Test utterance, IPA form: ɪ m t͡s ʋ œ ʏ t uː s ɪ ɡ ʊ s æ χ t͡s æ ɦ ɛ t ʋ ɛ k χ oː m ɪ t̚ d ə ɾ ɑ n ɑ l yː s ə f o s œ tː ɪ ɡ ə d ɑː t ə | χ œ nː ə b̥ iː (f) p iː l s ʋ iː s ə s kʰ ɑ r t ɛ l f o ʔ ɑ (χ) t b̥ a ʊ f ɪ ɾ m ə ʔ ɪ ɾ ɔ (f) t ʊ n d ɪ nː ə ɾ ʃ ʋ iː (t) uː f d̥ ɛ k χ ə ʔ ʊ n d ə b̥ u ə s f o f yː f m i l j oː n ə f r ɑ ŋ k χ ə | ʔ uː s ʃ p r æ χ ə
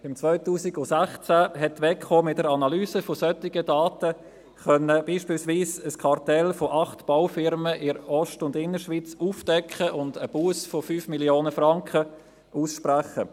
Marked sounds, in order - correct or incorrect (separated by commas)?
incorrect, correct, incorrect, incorrect